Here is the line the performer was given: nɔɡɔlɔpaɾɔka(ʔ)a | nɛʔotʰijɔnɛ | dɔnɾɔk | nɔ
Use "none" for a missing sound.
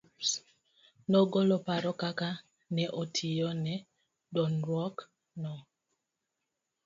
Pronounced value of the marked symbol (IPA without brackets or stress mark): k